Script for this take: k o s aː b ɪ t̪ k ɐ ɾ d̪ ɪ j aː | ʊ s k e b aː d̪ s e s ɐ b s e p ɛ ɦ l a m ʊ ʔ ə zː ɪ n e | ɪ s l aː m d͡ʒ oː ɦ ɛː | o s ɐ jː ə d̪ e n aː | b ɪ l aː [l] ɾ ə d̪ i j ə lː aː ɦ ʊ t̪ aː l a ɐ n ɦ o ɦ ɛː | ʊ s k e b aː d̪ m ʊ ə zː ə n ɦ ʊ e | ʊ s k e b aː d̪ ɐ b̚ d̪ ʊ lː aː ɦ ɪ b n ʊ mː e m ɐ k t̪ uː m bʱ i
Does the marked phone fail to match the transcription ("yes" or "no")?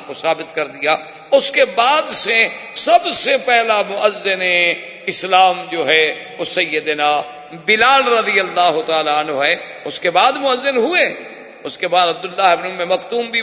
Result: no